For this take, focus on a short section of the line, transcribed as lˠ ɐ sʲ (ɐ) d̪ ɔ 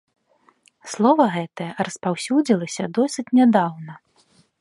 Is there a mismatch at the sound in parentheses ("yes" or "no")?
no